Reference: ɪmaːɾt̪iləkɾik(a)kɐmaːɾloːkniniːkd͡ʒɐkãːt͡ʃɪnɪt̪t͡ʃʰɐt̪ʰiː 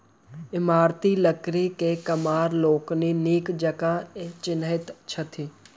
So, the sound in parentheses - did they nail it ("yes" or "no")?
no